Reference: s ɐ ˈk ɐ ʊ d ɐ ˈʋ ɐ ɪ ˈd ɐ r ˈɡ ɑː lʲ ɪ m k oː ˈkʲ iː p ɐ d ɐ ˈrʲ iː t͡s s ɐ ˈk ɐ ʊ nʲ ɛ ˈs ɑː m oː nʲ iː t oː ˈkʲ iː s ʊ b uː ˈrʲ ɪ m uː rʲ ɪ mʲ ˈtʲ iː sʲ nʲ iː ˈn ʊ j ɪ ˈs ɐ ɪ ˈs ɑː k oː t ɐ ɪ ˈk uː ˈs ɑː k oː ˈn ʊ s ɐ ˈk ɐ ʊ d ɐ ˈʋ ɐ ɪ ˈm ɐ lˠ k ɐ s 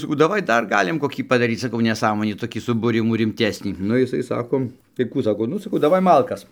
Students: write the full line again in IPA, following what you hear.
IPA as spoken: s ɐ ˈk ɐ ʊ d ɐ ˈʋ ɐ ɪ ˈd ɐ r ˈɡ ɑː lʲ ɪ m k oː ˈkʲ iː p ɐ d ɐ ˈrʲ iː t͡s s ɐ ˈk ɐ ʊ nʲ ɛ ˈs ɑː m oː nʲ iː t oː ˈkʲ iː s ʊ b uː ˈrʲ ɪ m uː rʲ ɪ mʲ ˈtʲ æː sʲ nʲ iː ˈn ʊ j ɪ ˈs ɐ ɪ ˈs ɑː k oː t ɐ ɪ ˈk uː ˈs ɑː k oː ˈn ʊ s ɐ ˈk ɐ ʊ d ɐ ˈʋ ɐ ɪ ˈm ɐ lˠ k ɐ s

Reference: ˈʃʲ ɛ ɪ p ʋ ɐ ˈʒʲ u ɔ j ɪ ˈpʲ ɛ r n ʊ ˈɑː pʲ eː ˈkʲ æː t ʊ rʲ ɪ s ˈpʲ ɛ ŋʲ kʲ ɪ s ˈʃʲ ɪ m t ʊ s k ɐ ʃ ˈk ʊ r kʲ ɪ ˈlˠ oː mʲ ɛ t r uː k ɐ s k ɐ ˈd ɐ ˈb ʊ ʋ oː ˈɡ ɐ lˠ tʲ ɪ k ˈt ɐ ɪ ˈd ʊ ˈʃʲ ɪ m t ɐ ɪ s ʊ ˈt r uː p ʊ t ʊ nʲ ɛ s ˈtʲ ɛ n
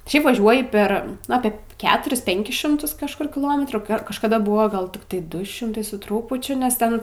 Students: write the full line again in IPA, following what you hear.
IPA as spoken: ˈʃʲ ɛ ɪ p ʋ ɐ ˈʒʲ u ɔ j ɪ ˈpʲ ɛ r n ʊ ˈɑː pʲ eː ˈkʲ æː t ʊ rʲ ɪ s ˈpʲ ɛ ŋʲ kʲ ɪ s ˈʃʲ ɪ m t ʊ s k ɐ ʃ ˈk ʊ r kʲ ɪ ˈlˠ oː mʲ ɛ t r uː k ɐ ʃ k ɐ ˈd ɐ ˈb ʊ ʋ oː ˈɡ ɐ lˠ tʲ ɪ k ˈt ɐ ɪ ˈd ʊ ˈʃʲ ɪ m t ɐ ɪ s ʊ ˈt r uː p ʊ t͡ʃʲ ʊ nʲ ɛ s ˈtʲ ɛ n

